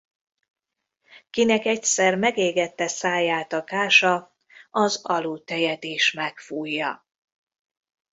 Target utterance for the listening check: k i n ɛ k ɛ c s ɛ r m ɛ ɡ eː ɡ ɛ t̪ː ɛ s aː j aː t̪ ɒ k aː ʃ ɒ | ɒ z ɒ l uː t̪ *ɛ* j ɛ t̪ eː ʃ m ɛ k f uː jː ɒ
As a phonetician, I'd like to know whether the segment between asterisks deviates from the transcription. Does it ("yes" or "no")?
no